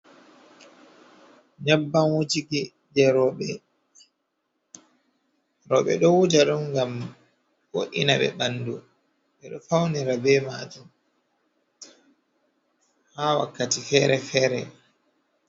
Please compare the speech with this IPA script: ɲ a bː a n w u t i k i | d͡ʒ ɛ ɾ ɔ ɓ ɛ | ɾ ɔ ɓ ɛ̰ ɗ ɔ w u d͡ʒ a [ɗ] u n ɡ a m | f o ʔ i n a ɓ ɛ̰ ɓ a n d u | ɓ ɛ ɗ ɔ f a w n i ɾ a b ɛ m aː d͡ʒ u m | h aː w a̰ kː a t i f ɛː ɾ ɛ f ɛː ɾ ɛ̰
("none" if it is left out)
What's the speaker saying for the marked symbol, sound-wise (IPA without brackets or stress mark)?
ɗ